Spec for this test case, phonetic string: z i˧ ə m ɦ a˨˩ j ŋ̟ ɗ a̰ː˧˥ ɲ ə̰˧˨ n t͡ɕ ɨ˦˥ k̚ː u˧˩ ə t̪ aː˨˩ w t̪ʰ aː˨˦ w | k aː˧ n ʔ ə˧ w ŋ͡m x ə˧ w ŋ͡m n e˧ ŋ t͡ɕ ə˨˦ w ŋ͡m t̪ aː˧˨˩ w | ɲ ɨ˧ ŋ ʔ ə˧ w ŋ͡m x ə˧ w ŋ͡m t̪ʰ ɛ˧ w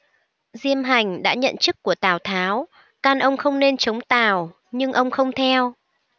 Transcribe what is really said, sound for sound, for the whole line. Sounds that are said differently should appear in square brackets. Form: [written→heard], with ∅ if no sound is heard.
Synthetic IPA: z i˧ ə m ɦ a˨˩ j ŋ̟ ɗ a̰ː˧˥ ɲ ə̰˧˨ n t͡ɕ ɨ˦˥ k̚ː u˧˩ ə t̪ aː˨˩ w t̪ʰ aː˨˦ w | k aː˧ n ʔ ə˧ w ŋ͡m x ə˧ w ŋ͡m n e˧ [ŋ→n] t͡ɕ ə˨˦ w ŋ͡m t̪ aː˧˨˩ w | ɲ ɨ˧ ŋ ʔ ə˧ w ŋ͡m x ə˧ w ŋ͡m t̪ʰ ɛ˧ w

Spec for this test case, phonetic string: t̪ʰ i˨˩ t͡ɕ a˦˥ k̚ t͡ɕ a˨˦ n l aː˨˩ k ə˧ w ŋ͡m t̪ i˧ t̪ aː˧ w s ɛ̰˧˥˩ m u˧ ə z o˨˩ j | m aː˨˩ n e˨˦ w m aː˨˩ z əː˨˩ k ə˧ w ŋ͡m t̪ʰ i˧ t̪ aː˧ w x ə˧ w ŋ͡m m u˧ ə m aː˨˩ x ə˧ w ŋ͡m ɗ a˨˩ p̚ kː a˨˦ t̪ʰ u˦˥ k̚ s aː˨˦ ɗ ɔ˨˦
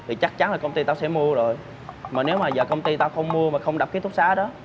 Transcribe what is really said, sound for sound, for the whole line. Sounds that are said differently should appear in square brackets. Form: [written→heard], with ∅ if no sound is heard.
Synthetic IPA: t̪ʰ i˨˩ t͡ɕ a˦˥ k̚ t͡ɕ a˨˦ n l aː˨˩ k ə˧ w ŋ͡m t̪ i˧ t̪ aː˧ w s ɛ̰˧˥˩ m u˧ ə z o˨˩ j | m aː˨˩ n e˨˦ w m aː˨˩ z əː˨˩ k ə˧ w ŋ͡m [t̪ʰ→t̪] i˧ t̪ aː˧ w x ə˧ w ŋ͡m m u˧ ə m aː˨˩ x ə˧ w ŋ͡m ɗ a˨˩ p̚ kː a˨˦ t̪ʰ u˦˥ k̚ s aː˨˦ ɗ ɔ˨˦

